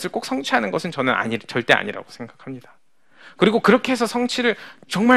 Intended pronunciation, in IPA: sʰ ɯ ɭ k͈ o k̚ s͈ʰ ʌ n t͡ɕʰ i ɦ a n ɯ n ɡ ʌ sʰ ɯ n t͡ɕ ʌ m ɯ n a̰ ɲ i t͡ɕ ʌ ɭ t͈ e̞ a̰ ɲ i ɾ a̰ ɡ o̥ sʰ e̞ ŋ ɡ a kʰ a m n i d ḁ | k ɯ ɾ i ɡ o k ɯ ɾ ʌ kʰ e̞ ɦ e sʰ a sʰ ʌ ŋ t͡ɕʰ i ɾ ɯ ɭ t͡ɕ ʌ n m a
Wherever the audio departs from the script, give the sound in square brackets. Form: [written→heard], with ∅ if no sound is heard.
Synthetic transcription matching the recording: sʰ ɯ ɭ k͈ o k̚ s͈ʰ ʌ [n→ŋ] t͡ɕʰ i ɦ a n ɯ n ɡ ʌ sʰ ɯ n t͡ɕ ʌ [m→n] ɯ n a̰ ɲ i t͡ɕ ʌ ɭ t͈ e̞ a̰ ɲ i ɾ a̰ ɡ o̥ sʰ e̞ ŋ ɡ a kʰ a m [n→ɲ] i d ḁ | k ɯ ɾ i ɡ o k ɯ ɾ ʌ kʰ e̞ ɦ e sʰ [a→ʌ] sʰ ʌ ŋ t͡ɕʰ i ɾ ɯ ɭ t͡ɕ ʌ [n→ŋ] m a